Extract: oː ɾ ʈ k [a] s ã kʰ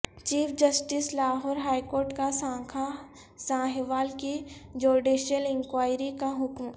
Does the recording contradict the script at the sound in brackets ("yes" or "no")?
no